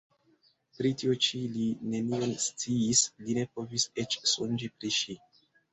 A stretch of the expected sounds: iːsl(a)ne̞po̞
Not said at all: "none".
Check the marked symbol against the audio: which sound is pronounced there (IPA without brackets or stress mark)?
i